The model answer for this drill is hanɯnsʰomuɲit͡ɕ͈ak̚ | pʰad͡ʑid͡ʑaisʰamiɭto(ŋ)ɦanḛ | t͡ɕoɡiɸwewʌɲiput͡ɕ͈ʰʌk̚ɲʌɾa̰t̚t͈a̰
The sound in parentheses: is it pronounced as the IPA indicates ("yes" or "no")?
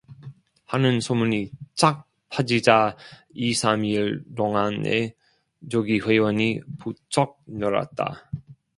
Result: yes